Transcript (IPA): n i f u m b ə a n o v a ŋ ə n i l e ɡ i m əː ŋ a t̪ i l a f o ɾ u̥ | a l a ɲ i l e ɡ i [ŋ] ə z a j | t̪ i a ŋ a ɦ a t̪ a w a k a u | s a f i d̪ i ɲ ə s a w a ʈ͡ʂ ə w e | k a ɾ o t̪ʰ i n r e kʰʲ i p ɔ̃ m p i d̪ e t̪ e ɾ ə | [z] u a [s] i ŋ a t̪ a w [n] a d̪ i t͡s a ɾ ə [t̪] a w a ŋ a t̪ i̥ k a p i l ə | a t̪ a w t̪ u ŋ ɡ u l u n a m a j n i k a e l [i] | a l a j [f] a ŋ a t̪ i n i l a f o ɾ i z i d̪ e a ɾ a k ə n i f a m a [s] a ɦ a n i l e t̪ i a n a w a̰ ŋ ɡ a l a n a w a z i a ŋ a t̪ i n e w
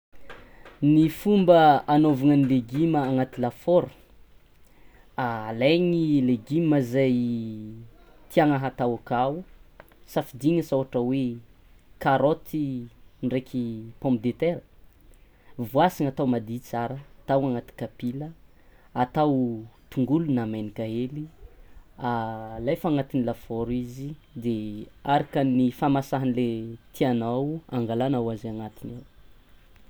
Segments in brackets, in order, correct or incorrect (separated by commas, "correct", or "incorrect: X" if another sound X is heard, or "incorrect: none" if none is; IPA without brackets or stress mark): incorrect: m, incorrect: v, correct, incorrect: m, correct, correct, correct, correct